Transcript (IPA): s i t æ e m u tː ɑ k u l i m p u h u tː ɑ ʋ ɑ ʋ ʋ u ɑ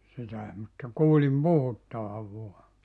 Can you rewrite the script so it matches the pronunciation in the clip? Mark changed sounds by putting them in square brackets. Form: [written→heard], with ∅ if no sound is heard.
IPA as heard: s i t æ e m u tː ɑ k [u→uː] l i m p u h u tː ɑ ʋ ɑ ʋ ʋ u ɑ